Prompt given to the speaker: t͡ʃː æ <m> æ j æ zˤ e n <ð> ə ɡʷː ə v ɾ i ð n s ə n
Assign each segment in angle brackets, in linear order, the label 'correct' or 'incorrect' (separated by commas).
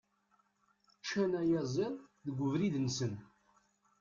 incorrect, correct